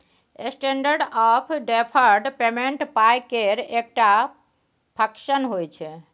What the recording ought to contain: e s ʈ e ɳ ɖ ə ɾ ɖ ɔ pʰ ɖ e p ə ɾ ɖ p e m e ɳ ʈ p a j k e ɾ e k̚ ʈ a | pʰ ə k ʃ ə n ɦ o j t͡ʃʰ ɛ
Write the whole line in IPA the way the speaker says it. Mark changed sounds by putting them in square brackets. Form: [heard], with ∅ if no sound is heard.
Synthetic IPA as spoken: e s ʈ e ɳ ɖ ə ɾ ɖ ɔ pʰ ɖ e [pʰ] ə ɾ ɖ p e m e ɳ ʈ p a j k e ɾ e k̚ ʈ a | pʰ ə k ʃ ə n ɦ o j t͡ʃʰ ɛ